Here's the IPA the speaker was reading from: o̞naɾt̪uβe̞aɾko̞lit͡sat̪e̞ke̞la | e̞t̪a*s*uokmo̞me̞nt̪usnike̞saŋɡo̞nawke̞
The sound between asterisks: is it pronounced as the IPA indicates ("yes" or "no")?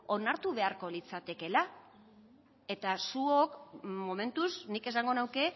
yes